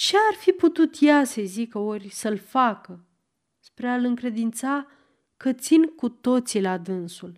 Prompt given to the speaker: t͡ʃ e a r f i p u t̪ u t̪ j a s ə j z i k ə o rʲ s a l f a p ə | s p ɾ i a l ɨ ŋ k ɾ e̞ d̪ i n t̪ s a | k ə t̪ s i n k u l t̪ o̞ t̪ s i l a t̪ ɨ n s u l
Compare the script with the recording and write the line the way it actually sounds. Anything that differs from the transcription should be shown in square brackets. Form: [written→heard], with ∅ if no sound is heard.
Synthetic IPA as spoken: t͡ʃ e a r f i p u t̪ u t̪ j a s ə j z i k ə o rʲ s [a→ə] l f a [p→k] ə | s p ɾ [i→e] a l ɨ ŋ k ɾ e̞ d̪ i n t̪ s a | k ə t̪ s i n k u [l→∅] t̪ o̞ t̪ s i l a [t̪→d̪] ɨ n s u l